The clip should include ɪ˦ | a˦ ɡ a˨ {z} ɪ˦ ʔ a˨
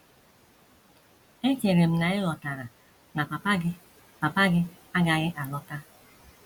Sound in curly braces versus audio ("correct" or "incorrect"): incorrect